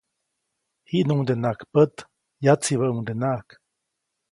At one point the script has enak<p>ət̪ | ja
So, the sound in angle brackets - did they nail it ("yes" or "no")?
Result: yes